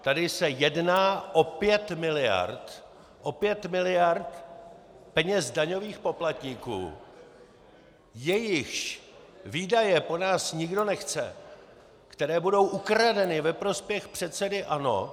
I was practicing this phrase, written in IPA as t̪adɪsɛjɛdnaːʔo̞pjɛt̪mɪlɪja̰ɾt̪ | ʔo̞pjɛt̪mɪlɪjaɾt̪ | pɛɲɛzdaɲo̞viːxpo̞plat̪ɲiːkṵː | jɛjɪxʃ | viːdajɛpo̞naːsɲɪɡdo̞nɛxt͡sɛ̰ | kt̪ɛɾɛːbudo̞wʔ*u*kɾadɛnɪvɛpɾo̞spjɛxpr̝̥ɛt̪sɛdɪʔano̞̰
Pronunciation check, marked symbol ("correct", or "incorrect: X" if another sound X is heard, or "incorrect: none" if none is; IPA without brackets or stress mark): correct